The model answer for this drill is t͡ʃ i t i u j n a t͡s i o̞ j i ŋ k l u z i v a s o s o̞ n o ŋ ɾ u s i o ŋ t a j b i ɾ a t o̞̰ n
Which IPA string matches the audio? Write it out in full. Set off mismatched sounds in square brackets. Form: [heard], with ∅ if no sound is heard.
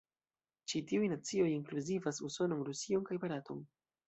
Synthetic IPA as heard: t͡ʃ i t i u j n a t͡s i o̞ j i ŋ k l u z i v a s [u] s o̞ n o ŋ ɾ u s i o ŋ [k] a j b [a] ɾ a t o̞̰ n